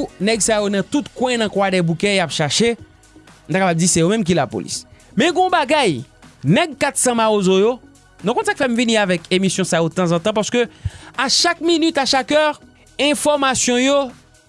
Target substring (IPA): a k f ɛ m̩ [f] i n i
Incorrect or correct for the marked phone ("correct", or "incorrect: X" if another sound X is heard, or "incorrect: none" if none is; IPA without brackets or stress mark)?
incorrect: v